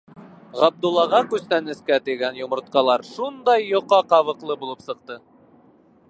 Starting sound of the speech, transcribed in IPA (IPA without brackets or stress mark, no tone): ʁ